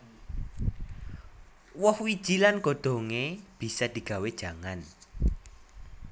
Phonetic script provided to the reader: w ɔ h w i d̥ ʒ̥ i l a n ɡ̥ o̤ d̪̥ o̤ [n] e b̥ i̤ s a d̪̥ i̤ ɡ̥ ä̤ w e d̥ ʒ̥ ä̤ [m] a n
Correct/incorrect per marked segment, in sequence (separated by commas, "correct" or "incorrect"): incorrect, incorrect